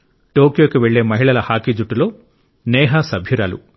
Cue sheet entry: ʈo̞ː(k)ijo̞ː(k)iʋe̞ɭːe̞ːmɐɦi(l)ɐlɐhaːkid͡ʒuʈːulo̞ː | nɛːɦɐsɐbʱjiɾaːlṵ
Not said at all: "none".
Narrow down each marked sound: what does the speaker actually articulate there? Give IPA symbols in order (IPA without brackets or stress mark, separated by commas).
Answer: k, k, ɭ